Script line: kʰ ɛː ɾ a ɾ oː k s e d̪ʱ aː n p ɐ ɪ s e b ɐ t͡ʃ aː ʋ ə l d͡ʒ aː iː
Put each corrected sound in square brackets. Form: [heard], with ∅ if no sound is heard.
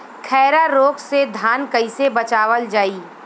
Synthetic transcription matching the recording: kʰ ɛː ɾ a ɾ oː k s e d̪ʱ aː n [k] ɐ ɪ s e b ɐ t͡ʃ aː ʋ ə l d͡ʒ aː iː